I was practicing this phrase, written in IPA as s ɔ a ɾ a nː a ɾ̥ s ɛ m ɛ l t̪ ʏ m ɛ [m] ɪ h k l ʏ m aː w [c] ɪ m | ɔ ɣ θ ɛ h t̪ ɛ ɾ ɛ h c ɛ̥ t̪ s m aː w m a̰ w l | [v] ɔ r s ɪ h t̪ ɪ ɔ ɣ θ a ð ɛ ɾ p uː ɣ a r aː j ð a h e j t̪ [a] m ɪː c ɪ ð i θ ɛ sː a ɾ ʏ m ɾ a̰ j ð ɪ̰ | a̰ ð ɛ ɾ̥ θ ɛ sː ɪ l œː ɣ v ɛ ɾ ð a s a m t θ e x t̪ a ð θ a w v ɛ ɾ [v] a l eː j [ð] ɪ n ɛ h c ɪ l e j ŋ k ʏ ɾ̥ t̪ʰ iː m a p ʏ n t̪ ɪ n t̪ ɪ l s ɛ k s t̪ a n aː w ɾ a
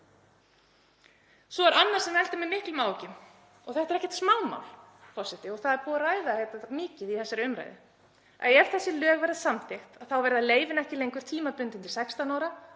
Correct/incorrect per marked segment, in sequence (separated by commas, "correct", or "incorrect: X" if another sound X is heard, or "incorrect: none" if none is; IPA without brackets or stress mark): correct, correct, incorrect: f, correct, incorrect: ð, incorrect: v